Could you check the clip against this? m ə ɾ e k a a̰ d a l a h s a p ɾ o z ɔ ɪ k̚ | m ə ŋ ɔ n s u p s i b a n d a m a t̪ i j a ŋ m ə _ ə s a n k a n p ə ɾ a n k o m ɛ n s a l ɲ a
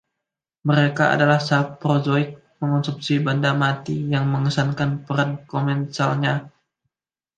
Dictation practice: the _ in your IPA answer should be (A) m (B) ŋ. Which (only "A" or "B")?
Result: B